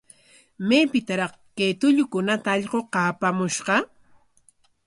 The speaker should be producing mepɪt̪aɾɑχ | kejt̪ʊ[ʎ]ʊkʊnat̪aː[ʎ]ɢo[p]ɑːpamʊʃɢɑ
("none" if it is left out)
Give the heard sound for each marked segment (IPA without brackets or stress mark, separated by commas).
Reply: ʎ, ʎ, q